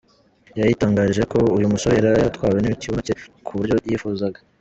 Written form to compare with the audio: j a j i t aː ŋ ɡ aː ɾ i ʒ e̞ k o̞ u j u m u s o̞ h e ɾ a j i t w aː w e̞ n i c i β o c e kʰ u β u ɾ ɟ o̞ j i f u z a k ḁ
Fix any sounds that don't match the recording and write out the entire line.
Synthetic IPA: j a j i t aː ŋ ɡ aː ɾ i ʒ e̞ k o̞ u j u m u s o̞ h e ɾ a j a t w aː w e̞ n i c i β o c e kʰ u β u ɾ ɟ o̞ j i f u z a ɡ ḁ